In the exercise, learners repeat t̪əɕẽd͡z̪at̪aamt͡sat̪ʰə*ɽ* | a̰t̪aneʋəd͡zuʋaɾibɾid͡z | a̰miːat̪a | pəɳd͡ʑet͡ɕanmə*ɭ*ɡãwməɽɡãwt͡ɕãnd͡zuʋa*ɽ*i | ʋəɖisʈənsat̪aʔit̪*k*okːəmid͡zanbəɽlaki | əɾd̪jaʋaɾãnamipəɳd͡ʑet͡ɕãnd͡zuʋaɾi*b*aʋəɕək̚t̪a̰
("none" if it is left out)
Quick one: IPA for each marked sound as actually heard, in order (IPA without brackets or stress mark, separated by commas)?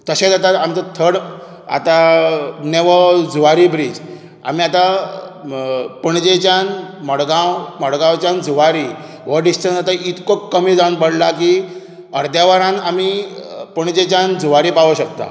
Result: ɽ, ɽ, ɾ, k, p